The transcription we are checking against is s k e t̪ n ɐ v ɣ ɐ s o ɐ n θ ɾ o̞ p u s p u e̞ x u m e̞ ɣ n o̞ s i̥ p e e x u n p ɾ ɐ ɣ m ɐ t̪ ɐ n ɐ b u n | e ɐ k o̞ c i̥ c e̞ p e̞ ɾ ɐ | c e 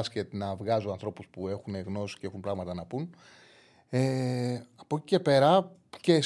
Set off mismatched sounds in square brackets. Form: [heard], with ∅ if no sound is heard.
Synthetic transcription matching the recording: s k e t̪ n ɐ v ɣ ɐ [z] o ɐ n θ ɾ o̞ p u s p u e̞ x u [n] e̞ ɣ n o̞ s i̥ [c] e e x u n p ɾ ɐ ɣ m ɐ t̪ ɐ n ɐ [p] u n | e ɐ [p] o̞ c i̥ c e̞ p e̞ ɾ ɐ | c e